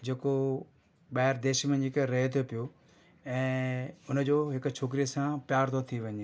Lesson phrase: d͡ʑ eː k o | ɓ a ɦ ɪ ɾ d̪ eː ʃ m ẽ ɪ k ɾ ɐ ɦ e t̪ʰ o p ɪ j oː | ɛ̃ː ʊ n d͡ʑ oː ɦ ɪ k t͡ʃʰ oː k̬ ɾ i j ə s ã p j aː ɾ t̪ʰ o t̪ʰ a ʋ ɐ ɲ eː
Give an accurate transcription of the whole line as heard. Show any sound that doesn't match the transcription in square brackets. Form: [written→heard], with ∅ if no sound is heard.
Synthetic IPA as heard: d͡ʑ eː k o | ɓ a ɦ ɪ ɾ d̪ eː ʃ m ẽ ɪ k ɾ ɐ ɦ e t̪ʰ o p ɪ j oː | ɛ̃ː ʊ n d͡ʑ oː ɦ ɪ k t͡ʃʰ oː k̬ ɾ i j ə s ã p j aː ɾ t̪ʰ o t̪ʰ [a→i] ʋ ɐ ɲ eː